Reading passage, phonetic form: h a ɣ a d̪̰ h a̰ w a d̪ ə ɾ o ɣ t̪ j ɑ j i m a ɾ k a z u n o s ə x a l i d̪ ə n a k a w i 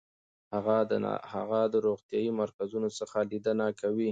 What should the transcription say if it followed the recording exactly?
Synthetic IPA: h a ɣ a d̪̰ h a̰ ɣ a d̪ ə ɾ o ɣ t̪ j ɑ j i m a ɾ k a z u n o s ə x a l i d̪ ə n a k a w i